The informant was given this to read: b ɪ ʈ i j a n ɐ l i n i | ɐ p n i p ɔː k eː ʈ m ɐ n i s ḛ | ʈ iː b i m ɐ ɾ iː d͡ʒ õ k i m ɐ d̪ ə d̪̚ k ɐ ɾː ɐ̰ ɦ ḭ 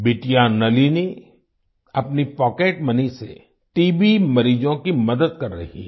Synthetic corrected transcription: b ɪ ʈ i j a n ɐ l i n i | ɐ p n i p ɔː k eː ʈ m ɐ n i s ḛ | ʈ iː b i m ɐ ɾ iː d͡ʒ õ k i m ɐ d̪ ə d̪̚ k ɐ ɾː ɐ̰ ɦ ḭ